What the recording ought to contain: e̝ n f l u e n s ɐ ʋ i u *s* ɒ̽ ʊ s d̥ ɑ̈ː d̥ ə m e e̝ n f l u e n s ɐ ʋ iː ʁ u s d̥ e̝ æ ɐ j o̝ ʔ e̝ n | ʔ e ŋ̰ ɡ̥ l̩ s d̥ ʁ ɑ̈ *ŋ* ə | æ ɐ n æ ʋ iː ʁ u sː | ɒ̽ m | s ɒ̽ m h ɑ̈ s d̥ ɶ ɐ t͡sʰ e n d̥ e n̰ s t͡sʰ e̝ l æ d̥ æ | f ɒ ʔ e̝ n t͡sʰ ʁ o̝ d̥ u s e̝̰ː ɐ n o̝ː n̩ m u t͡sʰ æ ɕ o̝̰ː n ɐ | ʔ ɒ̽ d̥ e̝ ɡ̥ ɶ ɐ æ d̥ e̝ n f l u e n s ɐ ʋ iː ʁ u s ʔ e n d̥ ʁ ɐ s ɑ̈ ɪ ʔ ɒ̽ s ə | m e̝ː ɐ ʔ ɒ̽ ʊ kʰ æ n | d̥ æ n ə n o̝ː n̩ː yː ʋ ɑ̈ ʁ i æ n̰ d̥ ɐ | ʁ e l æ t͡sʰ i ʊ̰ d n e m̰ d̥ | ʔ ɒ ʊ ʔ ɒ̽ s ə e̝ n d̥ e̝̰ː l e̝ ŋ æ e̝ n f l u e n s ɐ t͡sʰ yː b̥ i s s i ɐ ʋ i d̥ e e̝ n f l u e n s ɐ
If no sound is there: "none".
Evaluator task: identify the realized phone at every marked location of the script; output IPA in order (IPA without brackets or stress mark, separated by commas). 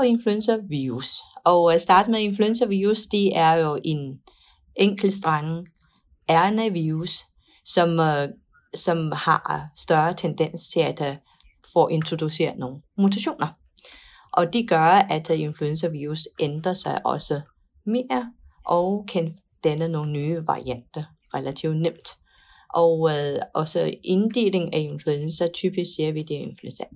s, ŋ